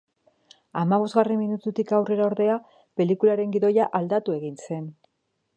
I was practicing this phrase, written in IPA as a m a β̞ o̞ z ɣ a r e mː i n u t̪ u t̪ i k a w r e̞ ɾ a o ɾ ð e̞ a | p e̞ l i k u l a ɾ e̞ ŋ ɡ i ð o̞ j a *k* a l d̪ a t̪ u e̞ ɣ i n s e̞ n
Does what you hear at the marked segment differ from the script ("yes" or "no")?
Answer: yes